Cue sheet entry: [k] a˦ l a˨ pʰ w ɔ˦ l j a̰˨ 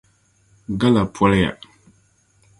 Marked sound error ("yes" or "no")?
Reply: yes